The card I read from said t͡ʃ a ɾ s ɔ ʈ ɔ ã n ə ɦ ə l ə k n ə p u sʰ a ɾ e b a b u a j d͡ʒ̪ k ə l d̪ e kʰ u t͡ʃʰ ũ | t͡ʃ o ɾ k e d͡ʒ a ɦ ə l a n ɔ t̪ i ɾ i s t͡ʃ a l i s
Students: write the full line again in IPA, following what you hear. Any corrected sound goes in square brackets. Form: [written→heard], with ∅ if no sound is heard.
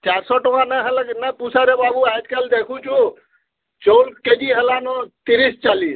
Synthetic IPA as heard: t͡ʃ a ɾ s ɔ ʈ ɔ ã n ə ɦ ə l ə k n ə p u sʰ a ɾ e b a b u a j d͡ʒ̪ k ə l d̪ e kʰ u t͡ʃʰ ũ | t͡ʃ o [ɾ→l] k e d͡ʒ [a→i] ɦ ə l a n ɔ t̪ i ɾ i s t͡ʃ a l i s